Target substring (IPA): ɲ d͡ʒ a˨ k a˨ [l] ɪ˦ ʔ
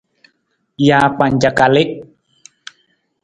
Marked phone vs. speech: correct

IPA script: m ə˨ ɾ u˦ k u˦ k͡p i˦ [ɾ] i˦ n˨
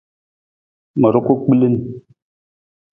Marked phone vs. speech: incorrect: l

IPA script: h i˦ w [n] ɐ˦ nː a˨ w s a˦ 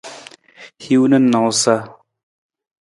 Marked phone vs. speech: correct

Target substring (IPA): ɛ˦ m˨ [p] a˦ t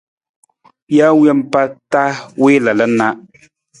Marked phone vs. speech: correct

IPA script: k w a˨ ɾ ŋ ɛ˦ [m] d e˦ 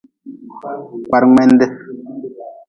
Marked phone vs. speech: incorrect: n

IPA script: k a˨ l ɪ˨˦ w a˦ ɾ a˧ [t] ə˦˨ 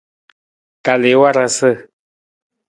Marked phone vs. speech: incorrect: s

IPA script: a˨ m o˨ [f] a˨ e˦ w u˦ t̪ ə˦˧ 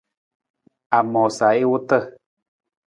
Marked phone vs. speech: incorrect: s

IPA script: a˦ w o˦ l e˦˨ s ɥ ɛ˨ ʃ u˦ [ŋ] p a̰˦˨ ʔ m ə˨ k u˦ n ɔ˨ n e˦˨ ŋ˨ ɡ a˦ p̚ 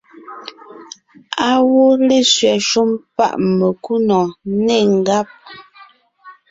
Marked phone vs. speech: incorrect: m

